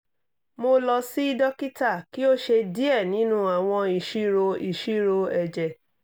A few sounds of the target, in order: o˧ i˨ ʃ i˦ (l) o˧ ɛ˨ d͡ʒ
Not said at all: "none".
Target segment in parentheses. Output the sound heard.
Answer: ɾ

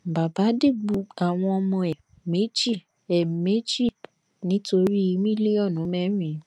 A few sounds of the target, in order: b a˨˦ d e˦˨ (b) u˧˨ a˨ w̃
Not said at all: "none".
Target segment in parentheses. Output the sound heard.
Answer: ɡ͡b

